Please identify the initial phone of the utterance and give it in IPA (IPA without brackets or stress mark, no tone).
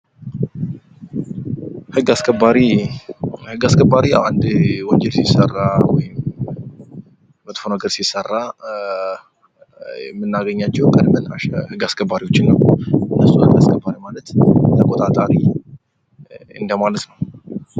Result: h